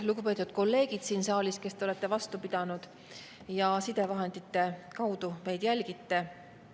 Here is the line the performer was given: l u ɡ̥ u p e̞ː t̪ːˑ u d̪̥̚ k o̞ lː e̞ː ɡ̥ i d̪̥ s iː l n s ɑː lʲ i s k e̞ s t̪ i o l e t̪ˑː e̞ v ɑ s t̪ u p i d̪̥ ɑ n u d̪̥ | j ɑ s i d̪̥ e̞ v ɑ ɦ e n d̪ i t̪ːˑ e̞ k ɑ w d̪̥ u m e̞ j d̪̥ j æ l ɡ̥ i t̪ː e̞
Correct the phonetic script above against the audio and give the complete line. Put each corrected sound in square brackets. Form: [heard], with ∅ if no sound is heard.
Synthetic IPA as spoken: l u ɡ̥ u p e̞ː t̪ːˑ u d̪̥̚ k o̞ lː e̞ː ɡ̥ i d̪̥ s iː [∅] n s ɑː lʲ i s k e̞ s t̪ [e] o l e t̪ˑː e̞ v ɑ s t̪ u p i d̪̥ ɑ n u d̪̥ | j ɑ s i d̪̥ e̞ v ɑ ɦ e n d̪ i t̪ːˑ e̞ k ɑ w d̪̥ u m e̞ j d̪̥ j æ l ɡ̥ i t̪ː e̞